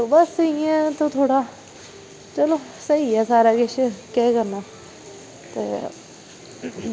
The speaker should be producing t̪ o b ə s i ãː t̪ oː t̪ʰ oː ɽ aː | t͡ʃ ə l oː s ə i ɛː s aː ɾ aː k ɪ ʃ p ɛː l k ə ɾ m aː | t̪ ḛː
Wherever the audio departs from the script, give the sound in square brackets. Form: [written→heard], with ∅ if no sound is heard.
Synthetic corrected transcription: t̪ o b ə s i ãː t̪ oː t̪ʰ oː ɽ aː | t͡ʃ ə l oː s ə i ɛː s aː ɾ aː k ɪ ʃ [p→k] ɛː [l→∅] k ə ɾ [m→n] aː | t̪ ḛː